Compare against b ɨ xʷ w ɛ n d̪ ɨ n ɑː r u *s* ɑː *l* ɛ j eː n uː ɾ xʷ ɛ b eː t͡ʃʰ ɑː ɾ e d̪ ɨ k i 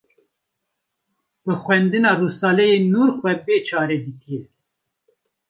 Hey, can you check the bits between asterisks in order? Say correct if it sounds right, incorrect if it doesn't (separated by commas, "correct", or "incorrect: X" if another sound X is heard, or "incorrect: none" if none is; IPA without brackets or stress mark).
correct, correct